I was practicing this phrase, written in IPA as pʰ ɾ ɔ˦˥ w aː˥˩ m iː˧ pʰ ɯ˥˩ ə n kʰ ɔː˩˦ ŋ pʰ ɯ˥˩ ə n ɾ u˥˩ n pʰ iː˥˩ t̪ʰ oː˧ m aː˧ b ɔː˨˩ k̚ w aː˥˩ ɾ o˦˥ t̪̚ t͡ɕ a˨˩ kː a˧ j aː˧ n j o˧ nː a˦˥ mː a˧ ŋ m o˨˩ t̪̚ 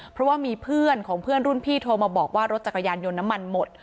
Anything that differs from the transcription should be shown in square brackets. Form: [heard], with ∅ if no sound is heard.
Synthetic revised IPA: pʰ ɾ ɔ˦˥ w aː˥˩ m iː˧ pʰ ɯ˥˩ ə n kʰ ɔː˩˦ ŋ pʰ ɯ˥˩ ə n ɾ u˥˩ n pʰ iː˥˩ t̪ʰ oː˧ m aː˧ b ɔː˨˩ k̚ w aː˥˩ ɾ o˦˥ t̪̚ t͡ɕ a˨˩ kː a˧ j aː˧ n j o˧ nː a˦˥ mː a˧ [n] m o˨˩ t̪̚